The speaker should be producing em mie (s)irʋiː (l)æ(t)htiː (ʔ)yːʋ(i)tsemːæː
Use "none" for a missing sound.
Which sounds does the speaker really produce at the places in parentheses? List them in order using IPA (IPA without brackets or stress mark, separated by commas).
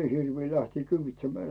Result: h, l, none, k, i